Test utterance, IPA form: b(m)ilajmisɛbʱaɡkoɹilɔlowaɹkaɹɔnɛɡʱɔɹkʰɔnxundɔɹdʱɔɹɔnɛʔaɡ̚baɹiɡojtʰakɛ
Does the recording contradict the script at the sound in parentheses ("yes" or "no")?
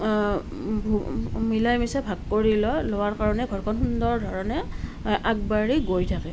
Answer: no